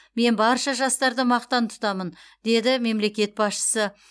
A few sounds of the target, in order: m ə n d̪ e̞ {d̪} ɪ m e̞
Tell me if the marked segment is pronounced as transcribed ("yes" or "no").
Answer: yes